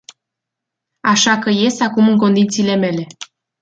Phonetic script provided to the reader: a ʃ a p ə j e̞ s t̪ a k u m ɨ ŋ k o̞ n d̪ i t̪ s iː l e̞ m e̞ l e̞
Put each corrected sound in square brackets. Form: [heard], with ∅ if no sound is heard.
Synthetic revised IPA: a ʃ a [k] ə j e̞ s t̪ a k u m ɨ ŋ k o̞ n d̪ i t̪ s iː l e̞ m e̞ l e̞

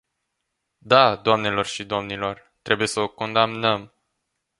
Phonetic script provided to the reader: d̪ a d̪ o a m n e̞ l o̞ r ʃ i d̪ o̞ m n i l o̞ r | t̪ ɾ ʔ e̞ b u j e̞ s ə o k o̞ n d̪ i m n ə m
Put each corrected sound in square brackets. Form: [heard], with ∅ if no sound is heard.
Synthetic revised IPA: d̪ a d̪ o a m n e̞ l o̞ r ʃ i d̪ o̞ m n i l o̞ r | t̪ ɾ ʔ e̞ b u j e̞ s ə o k o̞ n d̪ [a] m n ə m

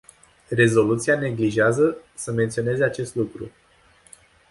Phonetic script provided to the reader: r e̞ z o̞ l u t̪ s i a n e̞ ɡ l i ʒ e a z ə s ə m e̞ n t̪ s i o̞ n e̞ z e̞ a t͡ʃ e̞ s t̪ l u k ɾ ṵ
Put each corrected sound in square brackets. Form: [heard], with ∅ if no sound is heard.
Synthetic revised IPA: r e̞ z o̞ l u t̪ s i a n e̞ ɡ l i ʒ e a z ə s ə m e̞ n t̪ s i o̞ n e̞ z e̞ a t͡ʃ e̞ s t̪ l u k ɾ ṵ

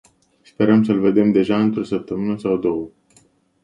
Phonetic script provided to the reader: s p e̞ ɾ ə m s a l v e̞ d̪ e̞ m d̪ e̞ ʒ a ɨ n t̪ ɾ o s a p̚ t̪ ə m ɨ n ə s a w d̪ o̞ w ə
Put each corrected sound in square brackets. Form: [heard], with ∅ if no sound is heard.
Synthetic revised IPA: s p e̞ ɾ ə m s [ə] l v e̞ d̪ e̞ m d̪ e̞ ʒ a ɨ n t̪ ɾ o s [ə] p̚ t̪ ə m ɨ n ə s a w d̪ o̞ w ə

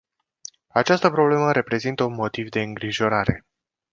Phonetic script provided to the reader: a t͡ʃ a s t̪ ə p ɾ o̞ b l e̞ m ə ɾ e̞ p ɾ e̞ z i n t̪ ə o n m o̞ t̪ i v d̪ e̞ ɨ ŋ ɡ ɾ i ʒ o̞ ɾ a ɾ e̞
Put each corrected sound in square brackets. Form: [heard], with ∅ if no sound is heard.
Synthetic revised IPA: a t͡ʃ a s t̪ ə p ɾ o̞ b l e̞ m ə ɾ e̞ p ɾ e̞ z i n t̪ ə [u] n m o̞ t̪ i v d̪ e̞ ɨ ŋ ɡ ɾ i ʒ o̞ ɾ a ɾ e̞

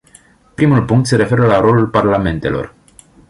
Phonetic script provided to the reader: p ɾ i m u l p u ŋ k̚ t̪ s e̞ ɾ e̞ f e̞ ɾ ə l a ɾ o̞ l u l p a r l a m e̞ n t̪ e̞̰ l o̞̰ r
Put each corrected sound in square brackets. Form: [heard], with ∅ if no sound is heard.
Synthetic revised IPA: p ɾ i m u l p u ŋ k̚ t̪ s e̞ ɾ e̞ f e̞ ɾ ə l a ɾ o̞ l u l p a r l a m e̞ n t̪ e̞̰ l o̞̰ r

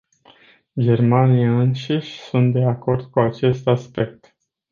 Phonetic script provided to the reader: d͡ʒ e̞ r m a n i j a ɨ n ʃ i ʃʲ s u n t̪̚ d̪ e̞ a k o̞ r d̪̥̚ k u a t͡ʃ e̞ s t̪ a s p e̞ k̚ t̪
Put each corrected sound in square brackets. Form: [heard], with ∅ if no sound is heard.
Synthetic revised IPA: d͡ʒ e̞ r m a n i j a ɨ n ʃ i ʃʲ s u n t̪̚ d̪ e̞ a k o̞ r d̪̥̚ k u a t͡ʃ e̞ s t̪ a s p e̞ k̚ t̪

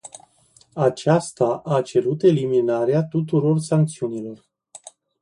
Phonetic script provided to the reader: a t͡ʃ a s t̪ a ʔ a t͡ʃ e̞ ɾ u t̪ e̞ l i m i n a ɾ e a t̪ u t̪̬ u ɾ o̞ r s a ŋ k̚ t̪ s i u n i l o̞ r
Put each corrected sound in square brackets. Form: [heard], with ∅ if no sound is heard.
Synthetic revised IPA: a t͡ʃ a s t̪ a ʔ a t͡ʃ e̞ ɾ u t̪ e̞ l i m i n a ɾ e a t̪ u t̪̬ u ɾ o̞ r s a ŋ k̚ t̪ s i u n i l o̞ r

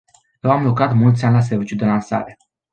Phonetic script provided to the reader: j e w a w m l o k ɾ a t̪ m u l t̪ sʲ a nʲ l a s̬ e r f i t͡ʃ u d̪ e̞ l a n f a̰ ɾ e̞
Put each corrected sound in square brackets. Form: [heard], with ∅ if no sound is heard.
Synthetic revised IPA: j e w a [∅] m l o k ɾ a t̪ m u l t̪ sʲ a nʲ l a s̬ e r [v] i t͡ʃ u d̪ e̞ l a n [s] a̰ ɾ e̞

